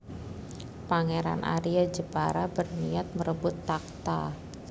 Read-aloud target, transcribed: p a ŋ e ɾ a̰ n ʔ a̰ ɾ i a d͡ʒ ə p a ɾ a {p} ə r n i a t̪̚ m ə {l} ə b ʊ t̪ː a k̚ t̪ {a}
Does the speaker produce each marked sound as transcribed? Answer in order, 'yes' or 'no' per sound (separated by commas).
no, no, yes